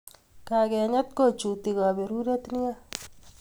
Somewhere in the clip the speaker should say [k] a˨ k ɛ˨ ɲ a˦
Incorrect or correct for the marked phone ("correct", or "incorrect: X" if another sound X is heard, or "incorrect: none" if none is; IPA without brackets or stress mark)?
correct